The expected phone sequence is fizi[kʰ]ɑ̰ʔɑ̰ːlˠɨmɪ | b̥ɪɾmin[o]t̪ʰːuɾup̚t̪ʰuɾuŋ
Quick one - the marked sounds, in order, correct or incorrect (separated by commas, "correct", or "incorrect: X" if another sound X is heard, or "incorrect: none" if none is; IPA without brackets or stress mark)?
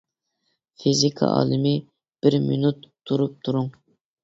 correct, incorrect: u